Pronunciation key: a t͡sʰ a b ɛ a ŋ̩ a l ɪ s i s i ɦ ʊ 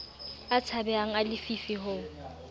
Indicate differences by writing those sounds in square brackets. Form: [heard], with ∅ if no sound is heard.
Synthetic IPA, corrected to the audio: a t͡sʰ a b ɛ a ŋ̩ a l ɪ [f] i [f] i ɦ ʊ